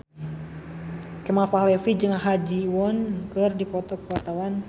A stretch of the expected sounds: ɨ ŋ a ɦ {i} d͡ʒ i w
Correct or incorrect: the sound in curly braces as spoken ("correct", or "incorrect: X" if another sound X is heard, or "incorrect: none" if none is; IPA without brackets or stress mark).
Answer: incorrect: a